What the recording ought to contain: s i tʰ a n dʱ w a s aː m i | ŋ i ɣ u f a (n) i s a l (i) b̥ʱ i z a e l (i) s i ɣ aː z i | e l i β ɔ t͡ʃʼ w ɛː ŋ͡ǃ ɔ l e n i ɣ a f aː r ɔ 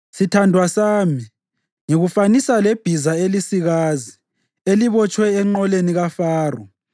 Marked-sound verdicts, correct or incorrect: correct, incorrect, correct

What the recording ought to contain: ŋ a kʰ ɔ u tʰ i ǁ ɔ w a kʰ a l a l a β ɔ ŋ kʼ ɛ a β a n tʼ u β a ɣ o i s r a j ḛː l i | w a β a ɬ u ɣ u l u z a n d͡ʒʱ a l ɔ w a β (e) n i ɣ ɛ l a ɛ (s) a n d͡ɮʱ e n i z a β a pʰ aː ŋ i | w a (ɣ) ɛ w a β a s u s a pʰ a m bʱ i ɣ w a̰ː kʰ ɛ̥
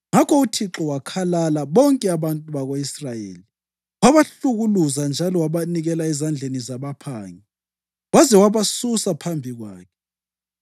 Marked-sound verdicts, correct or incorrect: incorrect, incorrect, incorrect

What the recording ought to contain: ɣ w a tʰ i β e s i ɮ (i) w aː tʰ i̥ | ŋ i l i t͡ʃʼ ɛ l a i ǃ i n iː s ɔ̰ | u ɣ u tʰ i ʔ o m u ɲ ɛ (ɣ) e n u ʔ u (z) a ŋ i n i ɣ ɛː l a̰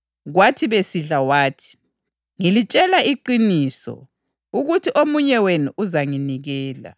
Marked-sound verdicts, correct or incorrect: incorrect, incorrect, correct

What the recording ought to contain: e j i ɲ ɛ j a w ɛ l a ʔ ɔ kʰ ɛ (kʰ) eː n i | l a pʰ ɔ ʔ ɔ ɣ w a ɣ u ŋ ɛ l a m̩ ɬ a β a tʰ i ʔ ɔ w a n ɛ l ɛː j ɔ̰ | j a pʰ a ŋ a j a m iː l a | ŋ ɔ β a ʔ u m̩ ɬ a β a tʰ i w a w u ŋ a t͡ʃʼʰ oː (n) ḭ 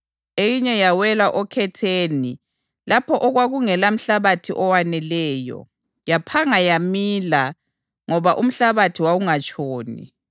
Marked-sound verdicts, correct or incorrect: incorrect, correct

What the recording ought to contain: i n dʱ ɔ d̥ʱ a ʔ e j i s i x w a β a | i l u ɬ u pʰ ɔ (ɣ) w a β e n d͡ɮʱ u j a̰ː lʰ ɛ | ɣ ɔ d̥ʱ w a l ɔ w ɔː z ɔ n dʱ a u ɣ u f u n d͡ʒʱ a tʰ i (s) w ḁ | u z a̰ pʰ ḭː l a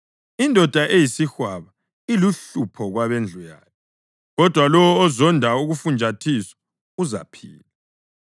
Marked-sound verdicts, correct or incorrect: correct, correct

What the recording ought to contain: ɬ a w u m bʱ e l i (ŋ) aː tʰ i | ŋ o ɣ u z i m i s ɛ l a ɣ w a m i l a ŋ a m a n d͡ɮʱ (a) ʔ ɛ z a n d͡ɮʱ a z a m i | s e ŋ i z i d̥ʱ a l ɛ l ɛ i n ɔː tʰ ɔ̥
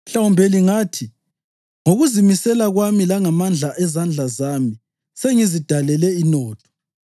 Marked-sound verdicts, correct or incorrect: correct, correct

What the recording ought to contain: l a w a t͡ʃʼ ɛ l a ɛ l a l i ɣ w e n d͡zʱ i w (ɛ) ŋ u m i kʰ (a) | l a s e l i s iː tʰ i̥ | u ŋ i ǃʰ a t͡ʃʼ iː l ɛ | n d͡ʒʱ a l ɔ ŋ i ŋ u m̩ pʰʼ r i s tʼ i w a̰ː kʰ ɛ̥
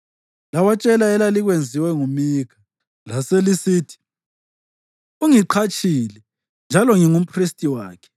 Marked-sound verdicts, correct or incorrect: correct, correct

